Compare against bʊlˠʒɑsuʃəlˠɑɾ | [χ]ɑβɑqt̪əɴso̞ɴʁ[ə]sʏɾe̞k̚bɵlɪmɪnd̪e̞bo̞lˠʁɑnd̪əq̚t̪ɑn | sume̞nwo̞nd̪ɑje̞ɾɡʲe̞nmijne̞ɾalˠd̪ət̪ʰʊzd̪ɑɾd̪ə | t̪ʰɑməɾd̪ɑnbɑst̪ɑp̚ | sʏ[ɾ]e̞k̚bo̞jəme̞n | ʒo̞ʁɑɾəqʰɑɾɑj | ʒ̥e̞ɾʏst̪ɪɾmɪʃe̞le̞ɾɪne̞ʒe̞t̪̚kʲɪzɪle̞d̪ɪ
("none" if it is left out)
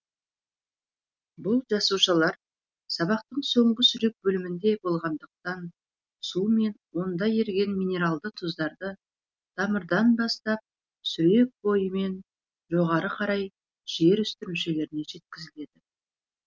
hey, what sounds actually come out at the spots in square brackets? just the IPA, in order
s, ə, ɾ

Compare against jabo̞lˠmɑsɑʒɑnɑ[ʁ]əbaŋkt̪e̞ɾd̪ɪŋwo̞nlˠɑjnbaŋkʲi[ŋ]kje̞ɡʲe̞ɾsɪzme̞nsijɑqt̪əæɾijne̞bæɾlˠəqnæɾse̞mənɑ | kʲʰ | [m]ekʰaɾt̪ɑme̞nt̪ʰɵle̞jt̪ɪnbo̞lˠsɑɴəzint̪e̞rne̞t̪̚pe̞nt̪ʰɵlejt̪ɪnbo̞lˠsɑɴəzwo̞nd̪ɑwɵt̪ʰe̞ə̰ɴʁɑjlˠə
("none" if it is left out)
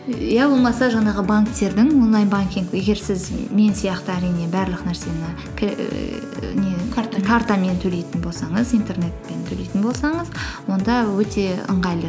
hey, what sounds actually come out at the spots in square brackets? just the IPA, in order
ʁ, ŋ, n

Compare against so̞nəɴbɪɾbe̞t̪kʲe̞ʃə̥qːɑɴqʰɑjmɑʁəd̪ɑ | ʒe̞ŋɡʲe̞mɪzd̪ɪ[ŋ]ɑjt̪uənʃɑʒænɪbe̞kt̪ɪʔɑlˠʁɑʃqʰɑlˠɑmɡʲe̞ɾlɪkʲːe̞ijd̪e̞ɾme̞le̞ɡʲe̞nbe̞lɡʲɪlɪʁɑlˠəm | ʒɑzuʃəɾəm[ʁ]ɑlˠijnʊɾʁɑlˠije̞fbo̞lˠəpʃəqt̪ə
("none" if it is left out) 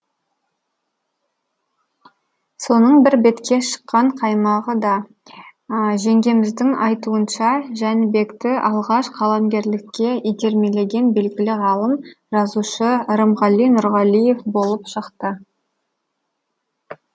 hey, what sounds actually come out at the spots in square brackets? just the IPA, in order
ŋ, ʁ

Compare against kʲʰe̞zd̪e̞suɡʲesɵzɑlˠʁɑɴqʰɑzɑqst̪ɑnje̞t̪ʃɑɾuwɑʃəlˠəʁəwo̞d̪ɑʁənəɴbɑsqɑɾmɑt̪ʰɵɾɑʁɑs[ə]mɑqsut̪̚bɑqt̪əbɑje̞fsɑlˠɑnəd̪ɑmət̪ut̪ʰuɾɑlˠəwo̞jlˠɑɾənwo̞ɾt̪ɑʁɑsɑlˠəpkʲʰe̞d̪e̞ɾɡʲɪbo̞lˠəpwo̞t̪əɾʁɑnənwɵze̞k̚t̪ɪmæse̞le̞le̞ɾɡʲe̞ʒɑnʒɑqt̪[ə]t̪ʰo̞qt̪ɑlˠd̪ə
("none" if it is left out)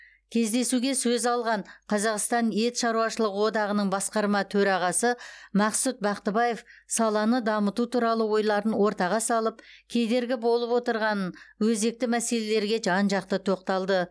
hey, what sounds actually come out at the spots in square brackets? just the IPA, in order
ə, ə

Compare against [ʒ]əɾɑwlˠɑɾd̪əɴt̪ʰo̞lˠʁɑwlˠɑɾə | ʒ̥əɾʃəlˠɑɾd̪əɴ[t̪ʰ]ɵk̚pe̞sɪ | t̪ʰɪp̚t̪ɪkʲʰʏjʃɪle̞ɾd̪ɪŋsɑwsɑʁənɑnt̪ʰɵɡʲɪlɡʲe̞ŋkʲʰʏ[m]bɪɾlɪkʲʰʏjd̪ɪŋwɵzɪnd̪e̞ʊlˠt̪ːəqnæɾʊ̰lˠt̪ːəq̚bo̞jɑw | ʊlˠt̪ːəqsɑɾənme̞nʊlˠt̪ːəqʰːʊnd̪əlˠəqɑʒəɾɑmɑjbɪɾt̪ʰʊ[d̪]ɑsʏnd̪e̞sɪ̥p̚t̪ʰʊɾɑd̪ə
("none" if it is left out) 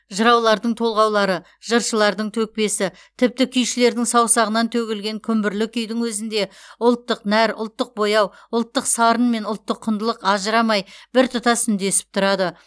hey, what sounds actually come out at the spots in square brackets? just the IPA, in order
ʒ, t̪ʰ, m, t̪

